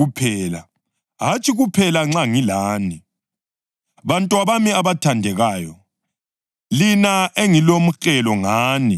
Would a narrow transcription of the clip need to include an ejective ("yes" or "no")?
yes